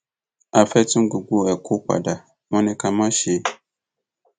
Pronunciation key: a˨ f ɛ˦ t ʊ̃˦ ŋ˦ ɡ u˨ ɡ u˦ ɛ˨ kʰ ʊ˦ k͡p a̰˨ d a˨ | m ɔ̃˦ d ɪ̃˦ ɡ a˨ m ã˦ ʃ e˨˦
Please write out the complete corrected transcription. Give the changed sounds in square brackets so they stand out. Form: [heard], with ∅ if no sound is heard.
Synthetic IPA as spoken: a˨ f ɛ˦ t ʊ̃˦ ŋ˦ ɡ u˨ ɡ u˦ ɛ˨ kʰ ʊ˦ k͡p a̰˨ d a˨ | m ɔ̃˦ [n] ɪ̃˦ [k] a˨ m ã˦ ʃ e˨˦